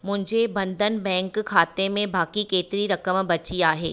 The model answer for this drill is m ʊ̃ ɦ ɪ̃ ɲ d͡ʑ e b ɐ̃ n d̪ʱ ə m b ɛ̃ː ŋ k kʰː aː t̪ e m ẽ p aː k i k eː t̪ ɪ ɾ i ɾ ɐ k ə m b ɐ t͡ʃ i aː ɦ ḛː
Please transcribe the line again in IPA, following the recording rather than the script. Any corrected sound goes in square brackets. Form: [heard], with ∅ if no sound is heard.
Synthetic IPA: m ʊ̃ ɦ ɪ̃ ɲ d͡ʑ e b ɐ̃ n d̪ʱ ə [n] b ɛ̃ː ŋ k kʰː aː t̪ e m ẽ [b] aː k i k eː t̪ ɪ ɾ i ɾ ɐ k ə m b ɐ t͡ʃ i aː ɦ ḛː